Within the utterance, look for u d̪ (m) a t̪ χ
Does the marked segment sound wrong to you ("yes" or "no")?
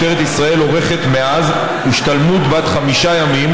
yes